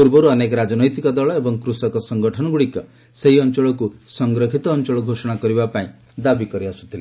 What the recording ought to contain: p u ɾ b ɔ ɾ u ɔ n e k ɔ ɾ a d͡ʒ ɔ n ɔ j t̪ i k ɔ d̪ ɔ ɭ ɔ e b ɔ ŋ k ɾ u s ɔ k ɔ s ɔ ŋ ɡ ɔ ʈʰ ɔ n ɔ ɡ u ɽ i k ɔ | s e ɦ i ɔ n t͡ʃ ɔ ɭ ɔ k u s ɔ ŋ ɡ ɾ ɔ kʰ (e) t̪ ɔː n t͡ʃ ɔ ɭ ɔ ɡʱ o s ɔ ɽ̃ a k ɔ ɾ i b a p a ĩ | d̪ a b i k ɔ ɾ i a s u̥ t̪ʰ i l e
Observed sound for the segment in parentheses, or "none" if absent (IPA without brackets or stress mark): i